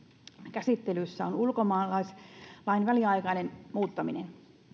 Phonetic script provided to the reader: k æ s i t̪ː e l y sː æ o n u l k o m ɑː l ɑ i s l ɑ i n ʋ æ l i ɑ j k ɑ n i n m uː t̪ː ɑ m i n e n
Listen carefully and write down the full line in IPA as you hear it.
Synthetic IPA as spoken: k æ s i t̪ː e l y sː æ o n u l k o m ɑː l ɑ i s l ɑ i n ʋ æ l i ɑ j k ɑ n e n m uː t̪ː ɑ m i n e n

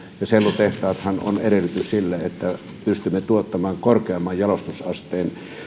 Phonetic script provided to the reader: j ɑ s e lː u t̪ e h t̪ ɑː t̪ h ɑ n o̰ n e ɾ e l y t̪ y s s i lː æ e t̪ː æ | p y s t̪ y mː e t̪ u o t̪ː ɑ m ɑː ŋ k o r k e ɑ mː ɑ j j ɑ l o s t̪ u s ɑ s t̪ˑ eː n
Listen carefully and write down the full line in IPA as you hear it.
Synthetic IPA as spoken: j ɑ s e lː u t̪ e h t̪ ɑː t̪ h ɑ n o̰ n e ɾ e l y t̪ y s s i lː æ e t̪ː æ | p y s t̪ y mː e t̪ u o t̪ː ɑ m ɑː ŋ k o r k e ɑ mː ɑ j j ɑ l o s t̪ u s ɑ s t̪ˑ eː n

